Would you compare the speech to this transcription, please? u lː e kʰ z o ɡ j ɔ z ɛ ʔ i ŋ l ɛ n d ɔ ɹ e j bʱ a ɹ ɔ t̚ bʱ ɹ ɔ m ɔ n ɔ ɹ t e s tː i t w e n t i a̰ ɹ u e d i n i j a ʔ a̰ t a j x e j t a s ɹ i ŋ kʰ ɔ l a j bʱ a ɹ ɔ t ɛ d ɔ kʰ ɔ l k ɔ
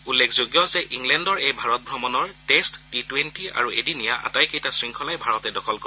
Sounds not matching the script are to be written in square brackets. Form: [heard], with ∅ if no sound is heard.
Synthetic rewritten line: u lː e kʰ z o ɡ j ɔ z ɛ ʔ i ŋ l ɛ n d ɔ ɹ e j bʱ a ɹ ɔ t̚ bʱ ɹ ɔ m ɔ n ɔ ɹ t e s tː i t w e n t i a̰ ɹ u e d i n i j a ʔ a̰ t a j [k] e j t a s ɹ i ŋ kʰ ɔ l a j bʱ a ɹ ɔ t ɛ d ɔ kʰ ɔ l k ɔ

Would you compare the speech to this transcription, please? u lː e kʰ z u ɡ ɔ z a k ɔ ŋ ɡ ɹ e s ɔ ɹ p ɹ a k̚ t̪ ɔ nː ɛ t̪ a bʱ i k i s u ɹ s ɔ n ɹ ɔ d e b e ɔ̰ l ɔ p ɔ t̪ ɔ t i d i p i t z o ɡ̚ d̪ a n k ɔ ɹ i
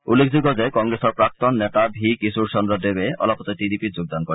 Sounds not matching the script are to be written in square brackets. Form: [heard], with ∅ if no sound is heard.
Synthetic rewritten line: u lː e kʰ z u ɡ ɔ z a k ɔ ŋ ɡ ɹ e s ɔ ɹ p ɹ a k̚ t̪ ɔ nː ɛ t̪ a bʱ i k i s u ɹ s ɔ n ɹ ɔ d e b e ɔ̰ l ɔ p ɔ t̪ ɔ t i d i p i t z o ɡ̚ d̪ a n k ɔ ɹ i

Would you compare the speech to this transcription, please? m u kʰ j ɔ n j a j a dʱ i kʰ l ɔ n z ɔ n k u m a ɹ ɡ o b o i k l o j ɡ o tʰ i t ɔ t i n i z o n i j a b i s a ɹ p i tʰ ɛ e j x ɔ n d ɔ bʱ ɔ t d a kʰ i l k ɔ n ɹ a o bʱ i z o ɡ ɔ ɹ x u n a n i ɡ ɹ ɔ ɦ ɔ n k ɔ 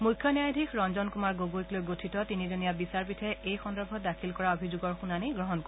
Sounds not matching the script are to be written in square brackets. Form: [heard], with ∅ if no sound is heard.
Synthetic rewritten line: m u kʰ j ɔ n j a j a dʱ i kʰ [ɹ] ɔ n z ɔ n k u m a ɹ ɡ o [ɡ] o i k l o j ɡ o tʰ i t ɔ t i n i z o n i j a b i s a ɹ p i tʰ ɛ e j x ɔ n d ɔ bʱ ɔ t d a kʰ i l k ɔ [∅] ɹ a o bʱ i z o ɡ ɔ ɹ x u n a n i ɡ ɹ ɔ ɦ ɔ n k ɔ

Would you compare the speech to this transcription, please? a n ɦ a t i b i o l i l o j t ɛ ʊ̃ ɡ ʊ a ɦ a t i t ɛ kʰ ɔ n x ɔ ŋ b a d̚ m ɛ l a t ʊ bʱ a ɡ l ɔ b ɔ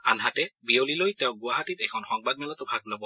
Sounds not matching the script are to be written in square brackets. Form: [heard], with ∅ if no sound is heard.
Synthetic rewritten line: a n ɦ a t [ɛ] b i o l i l o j t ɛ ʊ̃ ɡ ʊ a ɦ a t i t ɛ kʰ ɔ n x ɔ ŋ b a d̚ m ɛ l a t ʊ bʱ a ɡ l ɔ b ɔ

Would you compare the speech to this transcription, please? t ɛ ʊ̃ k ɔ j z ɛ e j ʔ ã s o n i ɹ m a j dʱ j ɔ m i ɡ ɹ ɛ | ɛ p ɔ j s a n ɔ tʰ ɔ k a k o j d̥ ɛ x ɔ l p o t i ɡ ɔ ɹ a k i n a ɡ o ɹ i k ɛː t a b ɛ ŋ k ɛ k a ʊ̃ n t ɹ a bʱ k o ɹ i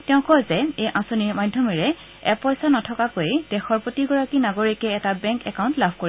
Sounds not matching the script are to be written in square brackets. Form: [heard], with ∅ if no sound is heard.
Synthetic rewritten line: t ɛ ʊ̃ k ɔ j z ɛ e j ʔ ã s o n i ɹ m a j dʱ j ɔ m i [∅] ɹ ɛ | ɛ p ɔ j s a n ɔ tʰ ɔ k a k o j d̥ ɛ x ɔ [ɹ] p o t i ɡ ɔ ɹ a k i n a ɡ o ɹ i k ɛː t a b ɛ ŋ k ɛ k a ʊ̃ n t [l] a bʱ k o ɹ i

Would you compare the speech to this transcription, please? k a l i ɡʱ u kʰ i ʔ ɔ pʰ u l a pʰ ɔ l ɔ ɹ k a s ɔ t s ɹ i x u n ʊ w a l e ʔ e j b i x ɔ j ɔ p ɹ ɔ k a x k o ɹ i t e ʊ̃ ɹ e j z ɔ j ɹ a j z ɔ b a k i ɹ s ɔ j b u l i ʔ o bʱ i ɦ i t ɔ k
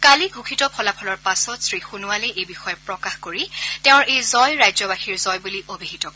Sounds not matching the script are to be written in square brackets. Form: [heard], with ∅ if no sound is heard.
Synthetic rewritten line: k a l i ɡʱ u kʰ i [t] ɔ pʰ [ɔ] l a pʰ ɔ l ɔ ɹ [p] a s ɔ t s ɹ i x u n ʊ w a l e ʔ e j b i x ɔ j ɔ p ɹ ɔ k a x k o ɹ i t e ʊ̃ ɹ e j z ɔ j ɹ a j z ɔ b a [x] i ɹ [z] ɔ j b u l i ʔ o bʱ i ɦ i t ɔ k

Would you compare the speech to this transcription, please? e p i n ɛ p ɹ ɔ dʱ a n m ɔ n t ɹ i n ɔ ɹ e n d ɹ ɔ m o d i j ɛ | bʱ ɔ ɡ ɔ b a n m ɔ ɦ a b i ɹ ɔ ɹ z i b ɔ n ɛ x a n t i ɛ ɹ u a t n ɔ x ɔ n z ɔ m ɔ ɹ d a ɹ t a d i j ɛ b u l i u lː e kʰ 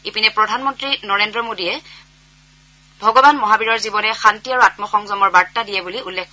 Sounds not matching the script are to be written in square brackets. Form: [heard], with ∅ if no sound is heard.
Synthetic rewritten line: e p i n ɛ p ɹ ɔ dʱ a n m ɔ n t ɹ i n ɔ ɹ e n d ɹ ɔ m o d i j ɛ | bʱ ɔ ɡ ɔ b a n m ɔ ɦ a b i ɹ ɔ ɹ z i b ɔ n ɛ x a n t i [a] ɹ u a t [m] ɔ x ɔ [ŋ] z ɔ m ɔ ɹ [b] a ɹ t a d i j ɛ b u l i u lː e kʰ

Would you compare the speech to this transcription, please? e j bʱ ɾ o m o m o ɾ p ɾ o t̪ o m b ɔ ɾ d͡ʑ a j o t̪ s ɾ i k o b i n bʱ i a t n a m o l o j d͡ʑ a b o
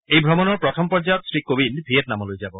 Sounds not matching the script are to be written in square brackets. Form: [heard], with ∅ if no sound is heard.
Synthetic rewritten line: e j bʱ ɾ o m o [n] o ɾ p ɾ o [t̪ʰ] o m [p] ɔ ɾ d͡ʑ a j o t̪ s ɾ i k o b i n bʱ i [e] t n a m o l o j d͡ʑ a b o

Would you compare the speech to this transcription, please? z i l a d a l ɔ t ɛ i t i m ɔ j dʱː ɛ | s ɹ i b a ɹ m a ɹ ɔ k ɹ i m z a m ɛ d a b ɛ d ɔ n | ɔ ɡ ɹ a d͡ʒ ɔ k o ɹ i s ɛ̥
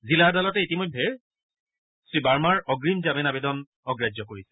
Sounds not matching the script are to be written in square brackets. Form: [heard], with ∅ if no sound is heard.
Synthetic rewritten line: z i l a d a l ɔ t ɛ i t i m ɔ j dʱː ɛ | s ɹ i b a ɹ m a ɹ ɔ [ɡ] ɹ i m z a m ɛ [n] a b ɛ d ɔ n | ɔ ɡ ɹ a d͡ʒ ɔ k o ɹ i s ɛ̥

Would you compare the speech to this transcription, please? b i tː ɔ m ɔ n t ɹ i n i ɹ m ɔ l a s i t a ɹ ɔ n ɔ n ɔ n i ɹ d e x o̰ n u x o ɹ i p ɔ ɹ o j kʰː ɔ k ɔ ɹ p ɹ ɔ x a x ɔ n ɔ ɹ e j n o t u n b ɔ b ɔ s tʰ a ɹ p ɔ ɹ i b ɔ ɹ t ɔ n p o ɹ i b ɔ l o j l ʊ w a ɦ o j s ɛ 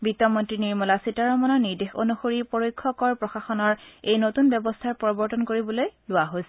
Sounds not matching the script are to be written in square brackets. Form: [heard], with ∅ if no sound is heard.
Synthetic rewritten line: b i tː ɔ m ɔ n t ɹ i n i ɹ m ɔ l a s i t a ɹ ɔ [m] ɔ n ɔ n i ɹ d e x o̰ n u x o ɹ i p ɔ ɹ o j kʰː ɔ k ɔ ɹ p ɹ ɔ x a x ɔ n ɔ ɹ e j n o t u n b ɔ b ɔ s tʰ a ɹ p ɔ ɹ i b ɔ ɹ t ɔ n [k] o ɹ i b ɔ l o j l ʊ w a ɦ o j s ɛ

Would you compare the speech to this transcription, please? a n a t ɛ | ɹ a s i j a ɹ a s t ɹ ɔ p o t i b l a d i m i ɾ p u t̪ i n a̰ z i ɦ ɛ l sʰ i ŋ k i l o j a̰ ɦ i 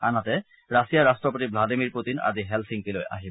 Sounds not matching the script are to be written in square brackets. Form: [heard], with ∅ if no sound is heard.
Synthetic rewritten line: a n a t ɛ | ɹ a s i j a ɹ a s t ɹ ɔ p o t i b l a d i m i [ɹ] p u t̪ i n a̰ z i ɦ ɛ l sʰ i ŋ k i l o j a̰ ɦ i

